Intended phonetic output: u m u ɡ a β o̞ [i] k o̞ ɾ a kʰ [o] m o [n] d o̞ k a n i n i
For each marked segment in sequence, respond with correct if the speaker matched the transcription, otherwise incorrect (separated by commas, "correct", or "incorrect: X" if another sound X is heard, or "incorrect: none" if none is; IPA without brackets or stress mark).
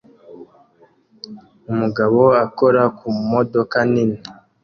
incorrect: a, incorrect: u, incorrect: none